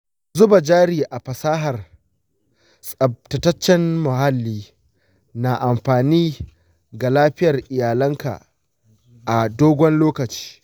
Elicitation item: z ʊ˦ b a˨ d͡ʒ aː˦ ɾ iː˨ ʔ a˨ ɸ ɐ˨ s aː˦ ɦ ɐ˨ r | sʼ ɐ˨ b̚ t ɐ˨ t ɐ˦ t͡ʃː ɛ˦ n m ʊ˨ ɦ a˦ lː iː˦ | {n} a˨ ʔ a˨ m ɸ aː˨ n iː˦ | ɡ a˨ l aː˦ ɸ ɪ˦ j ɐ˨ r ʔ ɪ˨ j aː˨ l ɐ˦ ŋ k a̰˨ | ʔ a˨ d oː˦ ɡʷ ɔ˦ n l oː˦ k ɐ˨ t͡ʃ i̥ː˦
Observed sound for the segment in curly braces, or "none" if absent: n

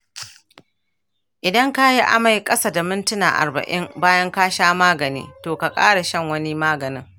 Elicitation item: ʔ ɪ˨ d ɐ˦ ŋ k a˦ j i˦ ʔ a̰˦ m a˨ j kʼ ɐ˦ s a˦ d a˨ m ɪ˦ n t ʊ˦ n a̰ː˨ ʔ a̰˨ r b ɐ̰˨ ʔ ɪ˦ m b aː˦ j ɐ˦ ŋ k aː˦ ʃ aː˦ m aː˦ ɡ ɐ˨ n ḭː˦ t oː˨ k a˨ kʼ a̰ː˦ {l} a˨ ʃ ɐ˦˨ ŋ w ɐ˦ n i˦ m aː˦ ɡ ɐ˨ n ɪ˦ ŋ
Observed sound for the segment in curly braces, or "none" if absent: ɽ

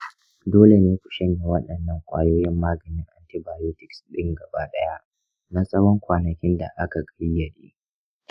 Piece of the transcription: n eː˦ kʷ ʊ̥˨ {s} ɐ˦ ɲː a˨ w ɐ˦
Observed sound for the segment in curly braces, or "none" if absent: ʃ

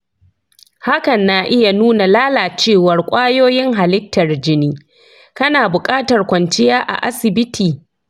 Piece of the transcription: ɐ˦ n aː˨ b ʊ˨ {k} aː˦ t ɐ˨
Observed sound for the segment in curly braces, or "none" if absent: kʼ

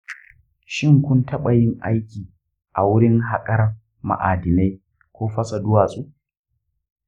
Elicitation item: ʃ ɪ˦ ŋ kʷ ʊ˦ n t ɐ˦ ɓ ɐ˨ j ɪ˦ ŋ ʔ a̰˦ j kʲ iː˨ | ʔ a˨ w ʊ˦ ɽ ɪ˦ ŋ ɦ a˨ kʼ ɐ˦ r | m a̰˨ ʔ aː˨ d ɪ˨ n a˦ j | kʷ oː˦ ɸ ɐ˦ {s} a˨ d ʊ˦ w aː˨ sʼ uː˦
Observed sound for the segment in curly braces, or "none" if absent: s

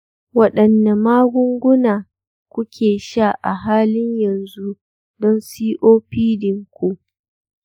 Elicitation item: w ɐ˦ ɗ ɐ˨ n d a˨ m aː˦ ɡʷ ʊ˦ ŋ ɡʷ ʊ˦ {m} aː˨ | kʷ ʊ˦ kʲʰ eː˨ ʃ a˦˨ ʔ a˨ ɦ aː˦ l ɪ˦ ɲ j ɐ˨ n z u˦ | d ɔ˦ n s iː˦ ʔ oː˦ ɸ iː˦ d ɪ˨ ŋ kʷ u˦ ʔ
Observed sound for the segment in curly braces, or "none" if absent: n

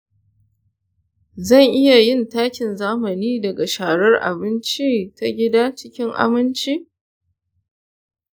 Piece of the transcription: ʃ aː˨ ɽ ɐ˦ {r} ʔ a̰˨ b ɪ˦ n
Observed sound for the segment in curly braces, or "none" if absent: r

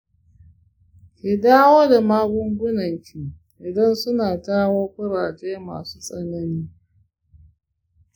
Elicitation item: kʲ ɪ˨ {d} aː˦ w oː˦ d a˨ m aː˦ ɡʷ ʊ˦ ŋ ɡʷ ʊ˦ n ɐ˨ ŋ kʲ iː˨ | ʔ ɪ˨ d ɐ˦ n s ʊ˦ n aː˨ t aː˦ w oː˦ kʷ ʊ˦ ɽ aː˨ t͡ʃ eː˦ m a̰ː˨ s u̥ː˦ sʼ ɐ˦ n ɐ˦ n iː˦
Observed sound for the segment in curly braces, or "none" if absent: d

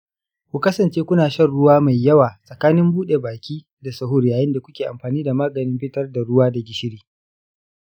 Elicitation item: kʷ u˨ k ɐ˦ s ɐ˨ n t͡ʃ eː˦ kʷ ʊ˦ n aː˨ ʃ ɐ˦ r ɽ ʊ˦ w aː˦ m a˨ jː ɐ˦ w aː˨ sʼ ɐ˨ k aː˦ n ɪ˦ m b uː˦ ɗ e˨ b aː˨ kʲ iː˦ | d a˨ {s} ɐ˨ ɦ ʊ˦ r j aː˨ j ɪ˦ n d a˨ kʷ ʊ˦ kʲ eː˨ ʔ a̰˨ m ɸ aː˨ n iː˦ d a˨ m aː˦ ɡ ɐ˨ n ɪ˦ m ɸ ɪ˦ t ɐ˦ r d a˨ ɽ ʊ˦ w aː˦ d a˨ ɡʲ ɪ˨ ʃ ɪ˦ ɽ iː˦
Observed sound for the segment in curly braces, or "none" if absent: s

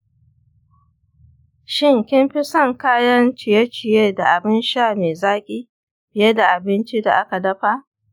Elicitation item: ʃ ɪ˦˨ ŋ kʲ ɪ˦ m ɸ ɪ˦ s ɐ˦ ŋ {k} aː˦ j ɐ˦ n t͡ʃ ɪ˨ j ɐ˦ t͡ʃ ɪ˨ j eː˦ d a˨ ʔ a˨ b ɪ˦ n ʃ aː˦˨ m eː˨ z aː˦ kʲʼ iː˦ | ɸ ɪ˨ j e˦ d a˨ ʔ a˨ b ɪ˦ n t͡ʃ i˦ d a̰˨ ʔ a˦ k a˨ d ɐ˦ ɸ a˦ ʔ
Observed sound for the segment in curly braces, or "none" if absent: k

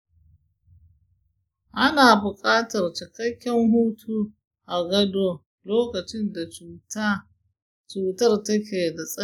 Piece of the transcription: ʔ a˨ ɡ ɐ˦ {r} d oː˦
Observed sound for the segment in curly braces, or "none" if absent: none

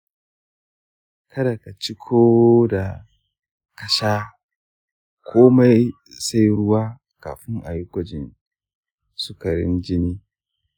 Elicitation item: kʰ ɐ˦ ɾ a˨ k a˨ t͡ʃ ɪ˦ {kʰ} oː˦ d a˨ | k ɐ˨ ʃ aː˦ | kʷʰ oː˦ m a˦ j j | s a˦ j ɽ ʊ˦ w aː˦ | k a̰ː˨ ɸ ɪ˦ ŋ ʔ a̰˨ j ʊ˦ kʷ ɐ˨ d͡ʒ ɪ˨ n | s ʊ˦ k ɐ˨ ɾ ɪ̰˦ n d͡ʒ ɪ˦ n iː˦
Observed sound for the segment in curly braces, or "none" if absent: kʰ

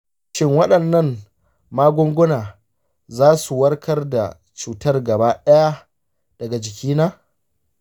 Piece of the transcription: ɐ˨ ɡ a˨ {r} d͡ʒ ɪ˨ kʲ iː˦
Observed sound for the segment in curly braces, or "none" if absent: none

